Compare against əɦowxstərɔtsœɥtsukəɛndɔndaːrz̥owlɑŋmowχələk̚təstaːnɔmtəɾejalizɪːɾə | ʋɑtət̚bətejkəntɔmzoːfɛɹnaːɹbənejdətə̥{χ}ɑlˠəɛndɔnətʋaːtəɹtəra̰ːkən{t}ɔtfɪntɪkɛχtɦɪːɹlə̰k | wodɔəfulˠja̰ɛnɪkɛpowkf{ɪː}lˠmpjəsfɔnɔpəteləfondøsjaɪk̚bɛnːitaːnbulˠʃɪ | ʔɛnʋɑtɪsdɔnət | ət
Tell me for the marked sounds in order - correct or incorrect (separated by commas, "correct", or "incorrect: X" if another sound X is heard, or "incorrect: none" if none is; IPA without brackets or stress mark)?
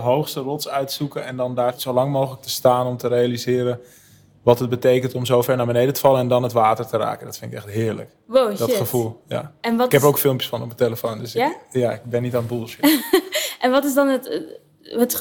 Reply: incorrect: f, incorrect: d, incorrect: ɪ